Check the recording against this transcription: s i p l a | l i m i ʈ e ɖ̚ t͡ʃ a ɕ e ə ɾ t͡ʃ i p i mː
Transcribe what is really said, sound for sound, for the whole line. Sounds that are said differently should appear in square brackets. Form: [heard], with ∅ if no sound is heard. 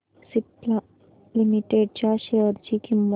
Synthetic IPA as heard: s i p l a | l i m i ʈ e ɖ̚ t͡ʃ a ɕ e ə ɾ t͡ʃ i [k] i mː